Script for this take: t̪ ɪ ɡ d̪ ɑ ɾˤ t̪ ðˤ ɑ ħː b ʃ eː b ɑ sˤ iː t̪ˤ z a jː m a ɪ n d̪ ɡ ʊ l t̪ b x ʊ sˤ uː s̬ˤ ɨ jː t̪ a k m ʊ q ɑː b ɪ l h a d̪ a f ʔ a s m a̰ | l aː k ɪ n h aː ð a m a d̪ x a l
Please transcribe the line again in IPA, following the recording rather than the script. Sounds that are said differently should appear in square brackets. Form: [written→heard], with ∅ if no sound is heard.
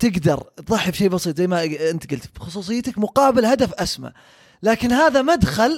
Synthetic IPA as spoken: t̪ ɪ ɡ d̪ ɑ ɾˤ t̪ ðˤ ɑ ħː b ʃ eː b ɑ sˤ iː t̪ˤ z a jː m a ɪ n [d̪→t̪] ɡ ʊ l t̪ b x ʊ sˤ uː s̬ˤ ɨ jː t̪ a k m ʊ q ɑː b ɪ l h a d̪ a f ʔ a s m a̰ | l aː k ɪ n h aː ð a m a d̪ x a l